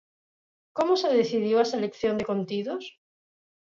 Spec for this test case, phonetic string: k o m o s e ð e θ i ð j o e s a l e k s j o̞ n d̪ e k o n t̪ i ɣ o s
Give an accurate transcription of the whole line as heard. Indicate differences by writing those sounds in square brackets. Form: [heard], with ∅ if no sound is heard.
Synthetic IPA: k o m o s e ð e θ i ð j o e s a l e k [θ] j o̞ n d̪ e k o n t̪ i [ð] o s

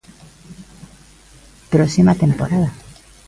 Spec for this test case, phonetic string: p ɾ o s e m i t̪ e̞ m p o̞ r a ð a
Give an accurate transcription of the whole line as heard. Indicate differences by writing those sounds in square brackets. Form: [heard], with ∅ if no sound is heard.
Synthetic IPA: p ɾ o s [i] m [a] t̪ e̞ m p o̞ [ɾ] a ð a

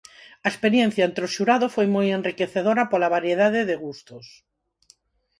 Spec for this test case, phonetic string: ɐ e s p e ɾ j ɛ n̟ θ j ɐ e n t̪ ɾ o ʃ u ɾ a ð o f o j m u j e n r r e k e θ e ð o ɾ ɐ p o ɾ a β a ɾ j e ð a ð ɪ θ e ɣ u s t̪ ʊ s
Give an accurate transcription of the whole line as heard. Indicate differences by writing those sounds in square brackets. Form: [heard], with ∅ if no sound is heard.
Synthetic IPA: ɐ e s p e ɾ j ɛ n̟ θ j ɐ e n t̪ ɾ o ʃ u ɾ a ð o f o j m [o] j e n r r [i] k e θ e ð o ɾ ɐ p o [l] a β a ɾ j e ð a ð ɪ [ð] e ɣ u s t̪ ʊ s

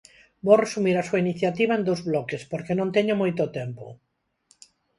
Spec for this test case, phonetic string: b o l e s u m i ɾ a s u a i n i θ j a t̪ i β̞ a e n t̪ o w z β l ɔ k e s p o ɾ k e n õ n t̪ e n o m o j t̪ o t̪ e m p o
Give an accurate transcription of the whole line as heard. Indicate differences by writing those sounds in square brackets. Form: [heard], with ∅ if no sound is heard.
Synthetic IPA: b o [r] e s u m i ɾ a s u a i n i θ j a t̪ i β̞ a e n [d̪] o w z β l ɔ k e s p o ɾ k e n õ n t̪ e [ɲ] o m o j t̪ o t̪ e m p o

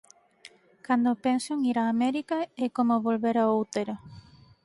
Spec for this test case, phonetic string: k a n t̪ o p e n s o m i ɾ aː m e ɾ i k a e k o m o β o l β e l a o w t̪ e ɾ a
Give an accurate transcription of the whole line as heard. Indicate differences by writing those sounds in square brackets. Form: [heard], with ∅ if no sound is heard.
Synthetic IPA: k a n [d̪] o p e n s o [ŋ] i ɾ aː m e ɾ i k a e k o m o β o l β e [ɾ] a o w t̪ e ɾ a

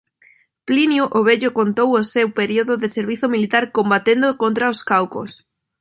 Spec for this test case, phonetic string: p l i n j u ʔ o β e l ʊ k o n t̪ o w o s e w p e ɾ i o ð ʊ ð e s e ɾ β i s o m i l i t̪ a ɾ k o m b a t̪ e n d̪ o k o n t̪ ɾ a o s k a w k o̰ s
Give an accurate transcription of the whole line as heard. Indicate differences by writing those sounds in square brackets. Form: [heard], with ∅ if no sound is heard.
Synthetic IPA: p l i n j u ʔ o β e [ʎ] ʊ k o n t̪ o w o s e w p e ɾ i o ð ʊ ð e s e ɾ β i [θ] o m i l i t̪ a ɾ k o m b a t̪ e n d̪ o k o n t̪ ɾ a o s k a w k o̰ s

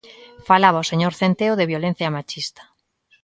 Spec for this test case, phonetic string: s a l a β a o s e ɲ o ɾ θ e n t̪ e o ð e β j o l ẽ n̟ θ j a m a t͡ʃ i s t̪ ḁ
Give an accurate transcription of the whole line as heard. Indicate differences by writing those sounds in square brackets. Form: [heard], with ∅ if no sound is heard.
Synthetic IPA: [f] a l a β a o s e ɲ o ɾ θ e n t̪ e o ð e β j o l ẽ n̟ θ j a m a t͡ʃ i s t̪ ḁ

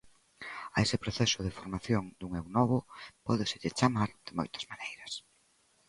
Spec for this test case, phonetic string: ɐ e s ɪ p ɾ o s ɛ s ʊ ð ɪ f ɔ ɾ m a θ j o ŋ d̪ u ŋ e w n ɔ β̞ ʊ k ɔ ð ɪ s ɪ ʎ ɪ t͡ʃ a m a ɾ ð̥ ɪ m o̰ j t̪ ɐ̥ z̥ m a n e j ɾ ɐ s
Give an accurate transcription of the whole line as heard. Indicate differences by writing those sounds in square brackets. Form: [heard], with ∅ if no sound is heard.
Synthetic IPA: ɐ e s ɪ p ɾ o [θ] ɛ s ʊ ð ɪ f [o] ɾ m a θ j o ŋ d̪ u ŋ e w n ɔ β̞ ʊ [p] ɔ ð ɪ s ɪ ʎ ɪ t͡ʃ a m a ɾ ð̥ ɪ m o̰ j t̪ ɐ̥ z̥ m a n e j ɾ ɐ s

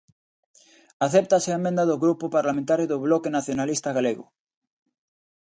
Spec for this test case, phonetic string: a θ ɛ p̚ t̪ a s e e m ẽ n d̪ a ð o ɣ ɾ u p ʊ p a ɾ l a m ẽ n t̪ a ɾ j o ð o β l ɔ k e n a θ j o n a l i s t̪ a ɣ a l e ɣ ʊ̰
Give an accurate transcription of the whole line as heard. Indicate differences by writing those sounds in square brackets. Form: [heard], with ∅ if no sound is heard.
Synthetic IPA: a θ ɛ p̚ t̪ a s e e m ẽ n d̪ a ð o ɣ ɾ u p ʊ p a ɾ l a m ẽ n t̪ a ɾ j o ð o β l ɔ k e n a θ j o n a l i s t̪ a ɣ a l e ɣ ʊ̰

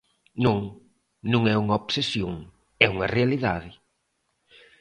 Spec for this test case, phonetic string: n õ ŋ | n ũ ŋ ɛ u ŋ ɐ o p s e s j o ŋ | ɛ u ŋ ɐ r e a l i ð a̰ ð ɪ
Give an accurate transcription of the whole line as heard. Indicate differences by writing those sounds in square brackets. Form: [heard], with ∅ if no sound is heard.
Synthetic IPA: n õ ŋ | n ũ ŋ ɛ u ŋ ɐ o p s e s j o ŋ | ɛ u ŋ ɐ r e a l i ð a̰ ð ɪ

